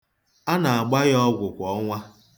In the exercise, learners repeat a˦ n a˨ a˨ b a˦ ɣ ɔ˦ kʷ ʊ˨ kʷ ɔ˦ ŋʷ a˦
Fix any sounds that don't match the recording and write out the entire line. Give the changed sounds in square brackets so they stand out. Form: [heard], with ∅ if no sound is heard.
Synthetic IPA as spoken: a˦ n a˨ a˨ [ɡ͡b] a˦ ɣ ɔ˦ [ɡʷ] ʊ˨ kʷ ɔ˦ ŋʷ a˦